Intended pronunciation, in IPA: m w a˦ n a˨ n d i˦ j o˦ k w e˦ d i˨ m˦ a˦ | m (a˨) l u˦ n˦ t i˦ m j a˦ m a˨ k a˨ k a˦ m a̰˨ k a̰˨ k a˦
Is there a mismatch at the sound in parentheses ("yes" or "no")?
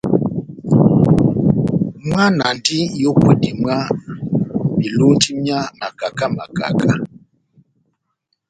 yes